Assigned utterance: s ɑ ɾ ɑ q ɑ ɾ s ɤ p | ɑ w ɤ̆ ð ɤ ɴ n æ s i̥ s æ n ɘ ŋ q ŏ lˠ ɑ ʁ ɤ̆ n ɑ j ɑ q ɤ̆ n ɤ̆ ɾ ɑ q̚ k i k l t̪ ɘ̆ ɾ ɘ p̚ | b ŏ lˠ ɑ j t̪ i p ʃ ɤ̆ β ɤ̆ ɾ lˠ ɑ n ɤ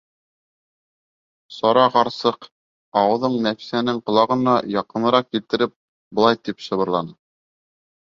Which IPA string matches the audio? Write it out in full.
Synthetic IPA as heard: s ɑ ɾ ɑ q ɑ ɾ s ɤ q | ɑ w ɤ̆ ð ɤ ɴ n æ f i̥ s æ n ɘ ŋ q ŏ lˠ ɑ ʁ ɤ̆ n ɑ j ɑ q ɤ̆ n ɤ̆ ɾ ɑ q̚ k i l t̪ ɘ̆ ɾ ɘ p̚ | b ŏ lˠ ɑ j t̪ i p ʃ ɤ̆ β ɤ̆ ɾ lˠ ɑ n ɤ